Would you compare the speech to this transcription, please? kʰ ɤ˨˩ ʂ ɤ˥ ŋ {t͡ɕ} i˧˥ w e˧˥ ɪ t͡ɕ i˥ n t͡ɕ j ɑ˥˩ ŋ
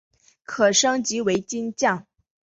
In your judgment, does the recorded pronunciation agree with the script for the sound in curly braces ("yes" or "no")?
yes